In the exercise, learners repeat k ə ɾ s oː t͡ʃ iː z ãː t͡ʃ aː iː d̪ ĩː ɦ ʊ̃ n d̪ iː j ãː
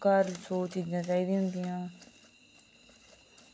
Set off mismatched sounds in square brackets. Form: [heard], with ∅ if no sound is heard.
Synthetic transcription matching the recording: k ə ɾ s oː t͡ʃ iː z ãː t͡ʃ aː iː d̪ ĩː ɦ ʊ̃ n d̪ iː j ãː